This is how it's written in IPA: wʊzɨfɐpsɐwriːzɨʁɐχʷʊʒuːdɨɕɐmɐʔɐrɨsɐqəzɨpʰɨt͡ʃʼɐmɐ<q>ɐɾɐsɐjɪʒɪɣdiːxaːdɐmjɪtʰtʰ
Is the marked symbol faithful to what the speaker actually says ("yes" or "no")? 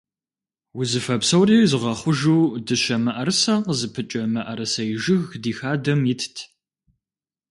no